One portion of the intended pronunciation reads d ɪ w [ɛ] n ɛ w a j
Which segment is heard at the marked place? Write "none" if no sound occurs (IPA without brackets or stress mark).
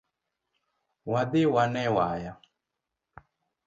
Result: a